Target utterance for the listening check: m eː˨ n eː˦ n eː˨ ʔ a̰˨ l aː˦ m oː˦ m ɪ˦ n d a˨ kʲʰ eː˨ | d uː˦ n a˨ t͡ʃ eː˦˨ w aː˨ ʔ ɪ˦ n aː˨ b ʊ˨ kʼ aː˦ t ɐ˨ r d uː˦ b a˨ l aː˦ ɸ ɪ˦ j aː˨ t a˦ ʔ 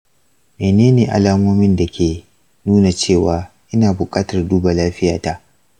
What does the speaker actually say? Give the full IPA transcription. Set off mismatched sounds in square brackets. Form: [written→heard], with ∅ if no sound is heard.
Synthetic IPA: m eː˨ n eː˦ n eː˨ ʔ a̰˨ l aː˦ m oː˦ m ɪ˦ n d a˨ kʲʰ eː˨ | [d→n] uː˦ n a˨ t͡ʃ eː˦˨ w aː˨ ʔ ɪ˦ n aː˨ b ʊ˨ kʼ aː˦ t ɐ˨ r d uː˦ b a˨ l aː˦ ɸ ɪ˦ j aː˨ t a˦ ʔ